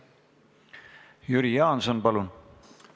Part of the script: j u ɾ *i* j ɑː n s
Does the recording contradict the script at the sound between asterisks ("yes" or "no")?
no